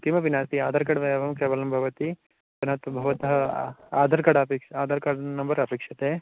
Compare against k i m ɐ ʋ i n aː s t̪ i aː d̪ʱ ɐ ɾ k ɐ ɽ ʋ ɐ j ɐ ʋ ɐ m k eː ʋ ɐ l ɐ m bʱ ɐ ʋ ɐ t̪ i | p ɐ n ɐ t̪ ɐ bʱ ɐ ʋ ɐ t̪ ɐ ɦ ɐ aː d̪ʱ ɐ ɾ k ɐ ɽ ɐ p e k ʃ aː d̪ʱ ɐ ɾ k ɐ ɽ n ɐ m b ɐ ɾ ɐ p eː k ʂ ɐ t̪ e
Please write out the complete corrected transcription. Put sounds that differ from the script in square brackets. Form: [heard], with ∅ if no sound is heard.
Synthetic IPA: k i m ɐ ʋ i n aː s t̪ i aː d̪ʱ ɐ ɾ k ɐ ɽ ʋ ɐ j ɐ ʋ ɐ m k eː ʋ ɐ l ɐ m bʱ ɐ ʋ ɐ t̪ i | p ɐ n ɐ t̪ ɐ bʱ ɐ ʋ ɐ t̪ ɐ ɦ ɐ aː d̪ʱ ɐ ɾ k ɐ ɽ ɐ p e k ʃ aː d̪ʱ ɐ ɾ k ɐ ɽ n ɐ m b ɐ ɾ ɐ p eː k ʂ ɐ t̪ e